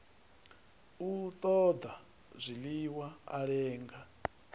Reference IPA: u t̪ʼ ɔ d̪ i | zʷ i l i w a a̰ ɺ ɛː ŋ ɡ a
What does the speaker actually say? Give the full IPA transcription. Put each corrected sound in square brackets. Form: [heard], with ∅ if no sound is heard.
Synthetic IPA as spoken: u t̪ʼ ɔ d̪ [a] | zʷ i l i w a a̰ ɺ ɛː ŋ ɡ a